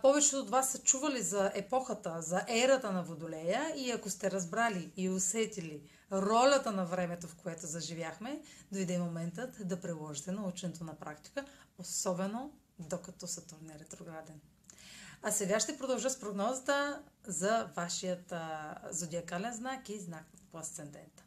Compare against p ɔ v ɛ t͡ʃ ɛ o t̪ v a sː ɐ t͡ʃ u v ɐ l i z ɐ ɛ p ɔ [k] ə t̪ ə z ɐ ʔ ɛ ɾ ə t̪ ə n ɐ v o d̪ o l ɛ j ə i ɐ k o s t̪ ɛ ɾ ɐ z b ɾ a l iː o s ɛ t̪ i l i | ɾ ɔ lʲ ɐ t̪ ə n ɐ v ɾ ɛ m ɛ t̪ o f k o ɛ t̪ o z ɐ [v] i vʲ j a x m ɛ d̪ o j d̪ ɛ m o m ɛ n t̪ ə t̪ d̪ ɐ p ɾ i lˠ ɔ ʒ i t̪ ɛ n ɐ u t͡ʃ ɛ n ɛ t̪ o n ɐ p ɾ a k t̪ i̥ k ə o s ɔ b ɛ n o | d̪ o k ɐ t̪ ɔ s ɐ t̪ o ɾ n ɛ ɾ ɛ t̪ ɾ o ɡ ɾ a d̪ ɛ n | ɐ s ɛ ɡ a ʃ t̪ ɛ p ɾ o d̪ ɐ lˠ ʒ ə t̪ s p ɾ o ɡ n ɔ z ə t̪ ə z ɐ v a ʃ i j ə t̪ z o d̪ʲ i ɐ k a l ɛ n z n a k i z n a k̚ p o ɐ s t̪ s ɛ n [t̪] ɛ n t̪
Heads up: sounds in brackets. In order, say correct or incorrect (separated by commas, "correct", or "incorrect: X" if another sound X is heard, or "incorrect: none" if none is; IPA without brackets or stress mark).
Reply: incorrect: x, incorrect: ʒ, incorrect: d̪